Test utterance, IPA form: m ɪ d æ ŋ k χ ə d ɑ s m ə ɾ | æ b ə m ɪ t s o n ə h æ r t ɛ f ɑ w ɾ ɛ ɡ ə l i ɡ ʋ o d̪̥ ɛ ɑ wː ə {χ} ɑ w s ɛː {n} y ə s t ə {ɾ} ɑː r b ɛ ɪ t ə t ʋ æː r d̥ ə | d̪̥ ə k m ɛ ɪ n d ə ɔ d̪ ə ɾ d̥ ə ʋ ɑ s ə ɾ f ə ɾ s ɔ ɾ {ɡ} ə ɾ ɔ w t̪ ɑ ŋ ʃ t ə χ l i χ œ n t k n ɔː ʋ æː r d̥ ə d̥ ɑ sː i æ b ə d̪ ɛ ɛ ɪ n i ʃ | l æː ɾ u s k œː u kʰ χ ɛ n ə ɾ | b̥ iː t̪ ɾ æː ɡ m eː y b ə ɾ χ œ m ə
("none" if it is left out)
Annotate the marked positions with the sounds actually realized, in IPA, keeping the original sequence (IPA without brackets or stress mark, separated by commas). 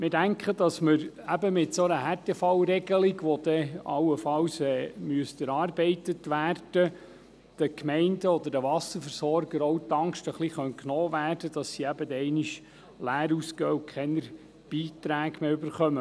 f, m, ɾ, ɡ